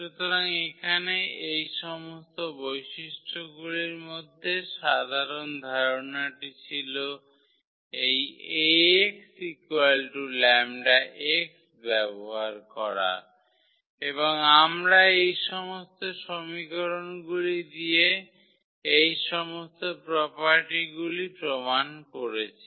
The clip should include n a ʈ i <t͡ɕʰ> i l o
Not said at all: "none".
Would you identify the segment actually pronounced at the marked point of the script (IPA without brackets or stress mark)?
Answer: t͡ɕʰ